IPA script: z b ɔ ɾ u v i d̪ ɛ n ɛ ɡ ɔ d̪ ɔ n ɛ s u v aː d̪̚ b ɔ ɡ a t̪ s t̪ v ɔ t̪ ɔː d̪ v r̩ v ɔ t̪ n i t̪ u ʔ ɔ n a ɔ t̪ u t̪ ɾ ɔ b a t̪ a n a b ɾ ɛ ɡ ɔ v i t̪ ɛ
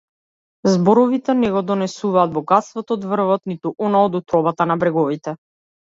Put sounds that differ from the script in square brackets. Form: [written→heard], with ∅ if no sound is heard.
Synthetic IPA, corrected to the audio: z b ɔ ɾ [u→ɔ] v i [d̪→t̪] ɛ n ɛ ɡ ɔ d̪ ɔ n ɛ s u v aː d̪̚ b ɔ ɡ a t̪ s t̪ v ɔ t̪ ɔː d̪ v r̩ v ɔ t̪ n i t̪ u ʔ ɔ n a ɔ [t̪→d̪] u t̪ ɾ ɔ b a t̪ a n a b ɾ ɛ ɡ ɔ v i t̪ ɛ